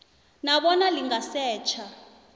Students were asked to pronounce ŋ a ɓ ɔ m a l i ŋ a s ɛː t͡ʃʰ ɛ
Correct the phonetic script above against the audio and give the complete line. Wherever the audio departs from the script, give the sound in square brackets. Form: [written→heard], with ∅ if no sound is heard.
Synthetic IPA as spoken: [ŋ→n] a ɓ ɔ [m→n] a l i ŋ a s ɛː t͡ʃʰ [ɛ→a]